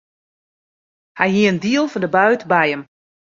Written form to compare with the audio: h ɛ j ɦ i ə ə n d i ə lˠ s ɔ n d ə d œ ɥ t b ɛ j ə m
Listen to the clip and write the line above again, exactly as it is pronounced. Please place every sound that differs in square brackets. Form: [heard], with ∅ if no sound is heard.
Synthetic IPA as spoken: h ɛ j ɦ i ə ə n d i ə lˠ [f] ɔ n d ə [b] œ ɥ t b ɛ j ə m